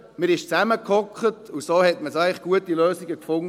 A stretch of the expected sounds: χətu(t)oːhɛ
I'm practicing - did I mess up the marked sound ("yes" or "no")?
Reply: yes